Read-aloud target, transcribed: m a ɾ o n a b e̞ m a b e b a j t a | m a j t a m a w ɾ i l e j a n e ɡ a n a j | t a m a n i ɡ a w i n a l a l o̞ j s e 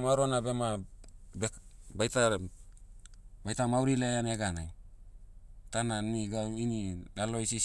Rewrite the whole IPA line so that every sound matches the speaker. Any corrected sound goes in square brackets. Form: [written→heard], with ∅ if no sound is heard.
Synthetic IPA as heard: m a ɾ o n a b e̞ m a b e b a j t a | [m→b] a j t a m a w ɾ i l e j a n e ɡ a n a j | t a [m→n] a n i ɡ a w i n [a→i] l a l o̞ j s [e→i]

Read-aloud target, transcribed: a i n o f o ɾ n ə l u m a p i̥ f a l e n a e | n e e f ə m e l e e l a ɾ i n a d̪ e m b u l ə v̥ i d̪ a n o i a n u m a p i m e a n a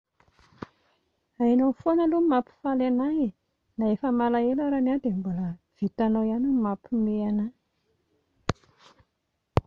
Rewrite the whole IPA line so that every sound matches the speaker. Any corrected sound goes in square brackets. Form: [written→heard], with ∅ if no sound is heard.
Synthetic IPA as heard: a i n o f o [ɾ→∅] n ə l u m a p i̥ f a l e n a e | n [e→a] e f ə m [e→a] l [e→a] e l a ɾ [i→a] n a d̪ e m b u l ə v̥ i [d̪→t̪] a n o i a n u m a p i m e a n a

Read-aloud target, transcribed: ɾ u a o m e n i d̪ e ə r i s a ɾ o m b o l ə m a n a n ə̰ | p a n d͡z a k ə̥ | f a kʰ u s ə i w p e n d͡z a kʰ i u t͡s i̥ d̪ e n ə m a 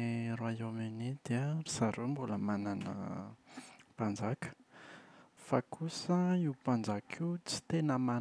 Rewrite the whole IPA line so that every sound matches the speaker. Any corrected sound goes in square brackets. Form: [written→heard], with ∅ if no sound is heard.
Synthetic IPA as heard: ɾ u a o m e n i d̪ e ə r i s a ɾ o m b [o→u] l ə m a n a n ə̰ | p a n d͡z a k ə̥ | f a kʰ u s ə i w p [e→a] n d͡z a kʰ i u t͡s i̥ [d̪→t̪] e n ə m a

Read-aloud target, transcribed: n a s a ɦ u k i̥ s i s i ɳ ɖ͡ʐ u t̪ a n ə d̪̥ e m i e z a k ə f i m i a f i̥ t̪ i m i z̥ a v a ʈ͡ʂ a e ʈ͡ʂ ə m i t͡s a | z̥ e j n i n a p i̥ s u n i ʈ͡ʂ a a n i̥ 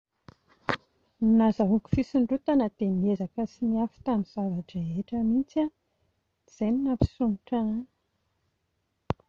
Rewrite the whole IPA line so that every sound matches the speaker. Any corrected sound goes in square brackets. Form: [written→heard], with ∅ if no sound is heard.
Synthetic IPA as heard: n a [s→z] a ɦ u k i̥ [s→f] i s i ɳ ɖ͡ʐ u t̪ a n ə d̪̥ e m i e z a k ə [f→s] i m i a f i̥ t̪ [i→a] m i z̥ a v a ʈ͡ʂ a e ʈ͡ʂ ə m i t͡s a | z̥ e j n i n a p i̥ s u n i ʈ͡ʂ a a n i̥

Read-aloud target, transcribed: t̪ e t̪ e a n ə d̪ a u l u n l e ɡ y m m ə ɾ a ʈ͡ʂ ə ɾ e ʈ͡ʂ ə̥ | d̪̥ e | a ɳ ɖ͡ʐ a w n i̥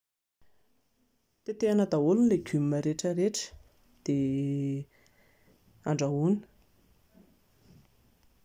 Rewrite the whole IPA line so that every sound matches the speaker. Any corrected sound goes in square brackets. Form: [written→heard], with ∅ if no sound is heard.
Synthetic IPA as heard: t̪ e t̪ e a n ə d̪ a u l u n l e ɡ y m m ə ɾ [a→e] ʈ͡ʂ ə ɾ e ʈ͡ʂ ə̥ | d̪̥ e | a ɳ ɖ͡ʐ a [w→u] n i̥

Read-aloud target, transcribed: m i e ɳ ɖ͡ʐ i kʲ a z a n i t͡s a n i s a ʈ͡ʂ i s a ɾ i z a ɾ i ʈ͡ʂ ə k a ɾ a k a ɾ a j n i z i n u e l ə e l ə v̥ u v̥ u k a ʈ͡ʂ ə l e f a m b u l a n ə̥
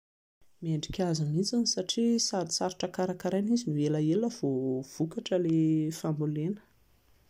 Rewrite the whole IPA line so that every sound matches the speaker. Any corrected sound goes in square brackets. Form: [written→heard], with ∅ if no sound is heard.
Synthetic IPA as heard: m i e ɳ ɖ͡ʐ i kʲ a z a n i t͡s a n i s a ʈ͡ʂ i s a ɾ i [z→s] a ɾ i ʈ͡ʂ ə k a ɾ a k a ɾ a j n i z i n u e l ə e l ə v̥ [u→o] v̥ u k a ʈ͡ʂ ə l e f a m b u l [a→e] n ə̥

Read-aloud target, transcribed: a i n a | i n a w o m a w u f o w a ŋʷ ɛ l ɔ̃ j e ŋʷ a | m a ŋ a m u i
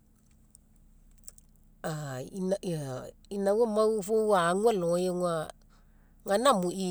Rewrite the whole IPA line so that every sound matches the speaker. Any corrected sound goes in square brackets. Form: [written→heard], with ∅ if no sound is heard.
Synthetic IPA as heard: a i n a | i n a w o m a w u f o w a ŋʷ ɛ l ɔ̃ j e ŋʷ a | [m→ŋ] a [ŋ→n] a m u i

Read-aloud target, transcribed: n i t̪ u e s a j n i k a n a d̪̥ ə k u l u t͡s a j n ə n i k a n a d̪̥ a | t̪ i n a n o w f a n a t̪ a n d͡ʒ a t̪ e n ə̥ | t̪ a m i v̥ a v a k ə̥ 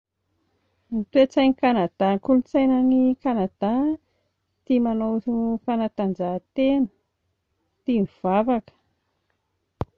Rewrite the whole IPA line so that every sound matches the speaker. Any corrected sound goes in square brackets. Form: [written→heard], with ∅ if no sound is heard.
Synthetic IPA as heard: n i t̪ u e [s→t͡s] a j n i k a n a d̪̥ [ə→a] k u l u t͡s a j n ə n i k a n a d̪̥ a | t̪ i [n→m] a n o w f a n a t̪ a n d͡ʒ a t̪ e n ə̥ | t̪ [a→i] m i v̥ a v a k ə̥

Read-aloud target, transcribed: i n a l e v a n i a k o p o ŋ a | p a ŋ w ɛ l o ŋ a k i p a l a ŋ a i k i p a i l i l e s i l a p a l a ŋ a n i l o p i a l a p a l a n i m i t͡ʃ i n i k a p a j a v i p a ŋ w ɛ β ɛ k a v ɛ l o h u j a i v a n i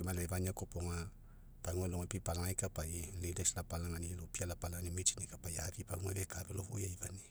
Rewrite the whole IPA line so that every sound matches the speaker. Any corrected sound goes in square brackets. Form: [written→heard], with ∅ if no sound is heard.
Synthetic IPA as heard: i [n→m] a l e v a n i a k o p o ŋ a | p a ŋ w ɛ l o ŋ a [k→p] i p a l a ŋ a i k [i→a] p a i l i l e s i l a p a l a ŋ a n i l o p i a l a p a l a n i m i t͡ʃ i n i k a p a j a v i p a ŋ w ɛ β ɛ k a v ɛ l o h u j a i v a n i

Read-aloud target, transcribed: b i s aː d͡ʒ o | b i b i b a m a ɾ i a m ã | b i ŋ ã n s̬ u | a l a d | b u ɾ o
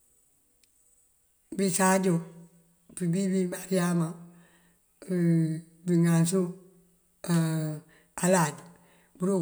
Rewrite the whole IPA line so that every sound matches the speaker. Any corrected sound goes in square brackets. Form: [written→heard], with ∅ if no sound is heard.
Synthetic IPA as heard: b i s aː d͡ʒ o | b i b i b [a→i] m a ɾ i a m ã | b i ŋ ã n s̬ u | a l a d | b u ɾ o

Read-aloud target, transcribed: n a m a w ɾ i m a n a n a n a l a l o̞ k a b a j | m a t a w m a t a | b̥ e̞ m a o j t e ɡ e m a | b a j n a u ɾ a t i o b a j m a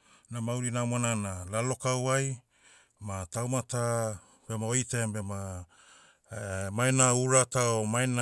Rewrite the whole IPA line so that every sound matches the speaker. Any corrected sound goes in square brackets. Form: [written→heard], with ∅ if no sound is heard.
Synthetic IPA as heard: n a m a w ɾ i [m→n] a [n→m] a n a n a l a l o̞ k a [b→w] a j | m a t a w m a t a | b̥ e̞ m a o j t e [ɡ→b] e m a | [b→m] a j n a u ɾ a t [i→a] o [b→m] a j [m→n] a

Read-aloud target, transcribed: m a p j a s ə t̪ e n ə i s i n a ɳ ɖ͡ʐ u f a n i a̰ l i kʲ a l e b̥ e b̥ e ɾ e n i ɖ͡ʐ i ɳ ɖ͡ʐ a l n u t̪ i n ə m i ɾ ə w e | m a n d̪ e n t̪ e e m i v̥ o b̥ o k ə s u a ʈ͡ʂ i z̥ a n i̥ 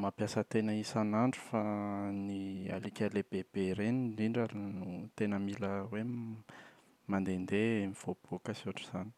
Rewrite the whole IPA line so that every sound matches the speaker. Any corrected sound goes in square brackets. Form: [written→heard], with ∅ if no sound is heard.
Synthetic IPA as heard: m a p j a s ə t̪ e n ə i s [i→a] n a ɳ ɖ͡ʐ u f a n i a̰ l i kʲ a l e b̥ e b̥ e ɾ e n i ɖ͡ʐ i ɳ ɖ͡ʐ a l n u t̪ [i→e] n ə m i [ɾ→l] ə w e | m a n d̪ e n [t̪→d̪] e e m i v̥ o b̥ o k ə s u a ʈ͡ʂ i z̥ a n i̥

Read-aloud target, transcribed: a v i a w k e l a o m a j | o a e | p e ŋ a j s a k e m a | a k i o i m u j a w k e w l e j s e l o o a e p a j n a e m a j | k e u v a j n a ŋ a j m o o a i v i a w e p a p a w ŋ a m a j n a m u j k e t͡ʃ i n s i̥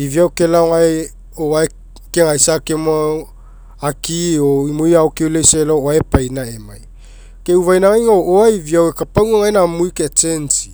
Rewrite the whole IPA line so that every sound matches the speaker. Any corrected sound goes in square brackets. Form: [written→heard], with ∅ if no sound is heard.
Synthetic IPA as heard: [a→i] v i a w k e l a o [m→ŋ] a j | o a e | [p→k] e ŋ a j s a k e m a | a k i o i m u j a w k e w l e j s e l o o a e p a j n a e m a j | k e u v a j n a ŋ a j [m→ŋ] o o a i v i a w e [p→k] a p a w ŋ a [m→ŋ] a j n a m u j k e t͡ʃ [i→e] n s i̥

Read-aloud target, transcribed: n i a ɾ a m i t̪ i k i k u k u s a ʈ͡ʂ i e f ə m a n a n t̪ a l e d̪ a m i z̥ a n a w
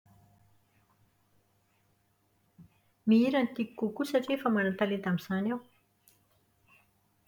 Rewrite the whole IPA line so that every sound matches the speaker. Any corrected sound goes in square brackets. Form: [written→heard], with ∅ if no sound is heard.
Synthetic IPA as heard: [n→m] i [a→i] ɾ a [m→n] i t̪ i k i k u k u s a ʈ͡ʂ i e f ə m a n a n t̪ a l e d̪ a m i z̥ a n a w

